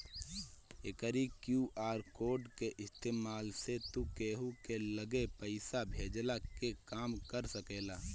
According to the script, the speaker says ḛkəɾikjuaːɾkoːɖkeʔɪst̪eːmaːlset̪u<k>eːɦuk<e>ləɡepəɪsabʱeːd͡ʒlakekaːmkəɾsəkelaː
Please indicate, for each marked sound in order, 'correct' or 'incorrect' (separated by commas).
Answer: correct, correct